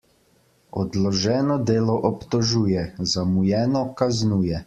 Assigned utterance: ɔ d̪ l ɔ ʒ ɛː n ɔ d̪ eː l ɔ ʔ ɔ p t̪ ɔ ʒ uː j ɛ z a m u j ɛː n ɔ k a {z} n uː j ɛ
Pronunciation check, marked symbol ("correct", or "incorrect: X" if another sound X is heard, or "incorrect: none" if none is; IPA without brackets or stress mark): correct